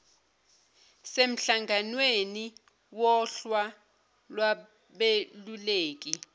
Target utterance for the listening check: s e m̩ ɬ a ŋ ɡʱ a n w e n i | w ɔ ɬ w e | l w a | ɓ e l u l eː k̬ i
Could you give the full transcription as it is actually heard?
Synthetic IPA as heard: s e m̩ ɬ a ŋ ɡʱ a n w e n i | w ɔ ɬ w a | l w a | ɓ e l u l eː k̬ i